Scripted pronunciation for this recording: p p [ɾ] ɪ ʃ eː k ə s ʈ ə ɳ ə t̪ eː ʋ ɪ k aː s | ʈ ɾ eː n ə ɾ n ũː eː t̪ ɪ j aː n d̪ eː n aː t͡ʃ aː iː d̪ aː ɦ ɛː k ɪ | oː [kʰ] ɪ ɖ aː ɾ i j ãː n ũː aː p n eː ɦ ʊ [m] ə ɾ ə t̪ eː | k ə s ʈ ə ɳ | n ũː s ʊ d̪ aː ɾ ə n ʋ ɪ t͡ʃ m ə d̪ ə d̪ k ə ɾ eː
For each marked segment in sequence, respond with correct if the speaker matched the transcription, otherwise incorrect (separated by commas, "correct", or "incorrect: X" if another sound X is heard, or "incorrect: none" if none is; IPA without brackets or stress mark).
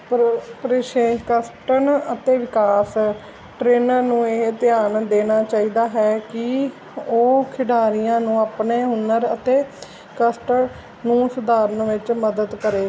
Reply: correct, correct, incorrect: n